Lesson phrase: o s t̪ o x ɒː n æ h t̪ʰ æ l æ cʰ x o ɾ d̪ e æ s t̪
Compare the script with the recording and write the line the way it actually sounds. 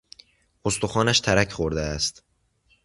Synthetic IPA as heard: o s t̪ o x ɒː n æ ʃ t̪ʰ æ ɾ æ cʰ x o ɾ d̪ e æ s t̪